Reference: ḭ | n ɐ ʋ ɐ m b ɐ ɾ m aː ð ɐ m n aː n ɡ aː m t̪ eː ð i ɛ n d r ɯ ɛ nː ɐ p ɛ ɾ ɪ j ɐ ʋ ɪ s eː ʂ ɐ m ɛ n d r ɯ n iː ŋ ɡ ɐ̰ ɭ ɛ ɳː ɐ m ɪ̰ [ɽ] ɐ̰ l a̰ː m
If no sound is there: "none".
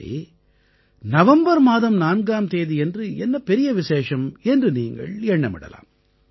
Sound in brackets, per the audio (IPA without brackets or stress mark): ɽ